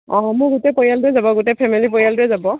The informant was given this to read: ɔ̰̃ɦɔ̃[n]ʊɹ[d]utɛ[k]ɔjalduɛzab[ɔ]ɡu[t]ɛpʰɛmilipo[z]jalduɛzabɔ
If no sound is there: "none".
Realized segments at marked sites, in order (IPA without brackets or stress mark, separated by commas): m, ɡ, p, ɔ, t, none